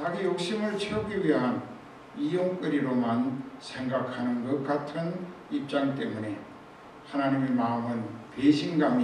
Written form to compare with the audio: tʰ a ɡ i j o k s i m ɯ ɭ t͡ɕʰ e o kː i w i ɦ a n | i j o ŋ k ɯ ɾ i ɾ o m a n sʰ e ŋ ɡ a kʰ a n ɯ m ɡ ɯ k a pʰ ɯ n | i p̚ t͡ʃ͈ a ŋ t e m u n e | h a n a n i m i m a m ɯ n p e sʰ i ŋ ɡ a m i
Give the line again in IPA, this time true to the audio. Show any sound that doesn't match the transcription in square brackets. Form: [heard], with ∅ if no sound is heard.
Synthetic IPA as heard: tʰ a ɡ i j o k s i m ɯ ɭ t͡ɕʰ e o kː i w i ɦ a n | i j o ŋ k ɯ ɾ i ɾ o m a n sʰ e ŋ ɡ a kʰ a n ɯ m ɡ ɯ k a [tʰ] ɯ n | i p̚ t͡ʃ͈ a ŋ t e m u n e | h a n a n i m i m a m ɯ n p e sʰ i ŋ ɡ a m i